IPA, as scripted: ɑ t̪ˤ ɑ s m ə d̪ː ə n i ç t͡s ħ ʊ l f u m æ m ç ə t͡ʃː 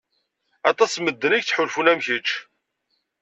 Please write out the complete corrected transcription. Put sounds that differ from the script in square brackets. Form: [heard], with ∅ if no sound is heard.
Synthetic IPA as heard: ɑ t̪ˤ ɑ s m ə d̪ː ə n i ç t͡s ħ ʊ l f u [n] æ m ç ə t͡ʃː